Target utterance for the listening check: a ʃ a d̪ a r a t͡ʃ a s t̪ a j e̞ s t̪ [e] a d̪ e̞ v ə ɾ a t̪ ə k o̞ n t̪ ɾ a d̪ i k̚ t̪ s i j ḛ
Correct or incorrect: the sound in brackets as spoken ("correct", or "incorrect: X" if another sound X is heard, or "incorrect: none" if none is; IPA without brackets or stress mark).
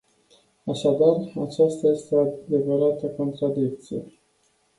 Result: correct